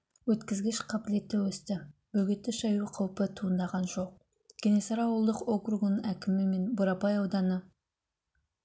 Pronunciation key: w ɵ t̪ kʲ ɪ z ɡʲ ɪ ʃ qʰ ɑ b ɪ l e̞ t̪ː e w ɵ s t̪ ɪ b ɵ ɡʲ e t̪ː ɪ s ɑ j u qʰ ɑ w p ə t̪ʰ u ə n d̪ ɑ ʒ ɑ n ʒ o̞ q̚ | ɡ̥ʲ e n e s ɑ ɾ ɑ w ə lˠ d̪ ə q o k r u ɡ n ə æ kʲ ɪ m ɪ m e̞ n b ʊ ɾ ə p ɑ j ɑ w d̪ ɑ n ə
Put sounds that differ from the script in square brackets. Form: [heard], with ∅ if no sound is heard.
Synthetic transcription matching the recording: w ɵ t̪ kʲ ɪ z ɡʲ ɪ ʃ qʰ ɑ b ɪ l e̞ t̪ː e w ɵ s t̪ ɪ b ɵ ɡʲ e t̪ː ɪ [ʃ] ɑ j u qʰ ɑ w p ə t̪ʰ u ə n d̪ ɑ [ʁ] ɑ n ʒ o̞ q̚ | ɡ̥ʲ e n e s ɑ ɾ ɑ w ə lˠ d̪ ə q o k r u ɡ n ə æ kʲ ɪ m ɪ m e̞ n b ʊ ɾ [ɑ] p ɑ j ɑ w d̪ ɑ n ə